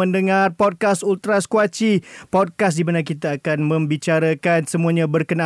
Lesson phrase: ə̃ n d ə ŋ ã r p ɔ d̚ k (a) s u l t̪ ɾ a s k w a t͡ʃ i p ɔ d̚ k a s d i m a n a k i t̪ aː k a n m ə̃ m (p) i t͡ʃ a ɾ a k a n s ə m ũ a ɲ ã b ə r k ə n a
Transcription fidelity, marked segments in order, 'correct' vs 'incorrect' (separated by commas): correct, incorrect